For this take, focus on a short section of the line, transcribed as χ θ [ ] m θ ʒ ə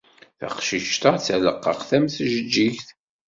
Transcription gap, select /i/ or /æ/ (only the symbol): æ